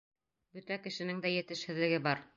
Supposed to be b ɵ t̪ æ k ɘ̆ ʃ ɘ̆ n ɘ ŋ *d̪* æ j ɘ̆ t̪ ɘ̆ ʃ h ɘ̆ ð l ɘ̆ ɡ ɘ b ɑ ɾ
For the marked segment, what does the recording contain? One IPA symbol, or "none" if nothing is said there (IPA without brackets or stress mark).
d̪